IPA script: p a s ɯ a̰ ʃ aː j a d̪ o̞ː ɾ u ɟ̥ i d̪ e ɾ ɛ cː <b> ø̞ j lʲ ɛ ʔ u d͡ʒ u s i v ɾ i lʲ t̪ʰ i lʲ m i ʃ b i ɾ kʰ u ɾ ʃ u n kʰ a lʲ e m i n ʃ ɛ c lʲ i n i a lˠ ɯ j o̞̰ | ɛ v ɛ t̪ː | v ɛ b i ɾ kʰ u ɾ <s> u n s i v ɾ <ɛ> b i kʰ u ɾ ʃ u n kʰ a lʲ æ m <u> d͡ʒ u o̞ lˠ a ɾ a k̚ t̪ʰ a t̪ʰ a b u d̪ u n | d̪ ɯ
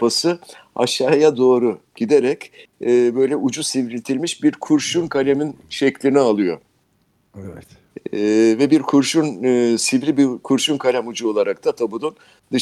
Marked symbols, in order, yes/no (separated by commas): yes, no, no, yes